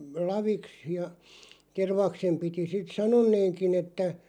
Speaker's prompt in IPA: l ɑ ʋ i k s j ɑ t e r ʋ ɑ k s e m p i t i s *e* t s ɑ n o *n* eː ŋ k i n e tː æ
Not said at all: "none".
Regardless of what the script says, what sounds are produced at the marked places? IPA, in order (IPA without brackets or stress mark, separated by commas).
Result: i, nː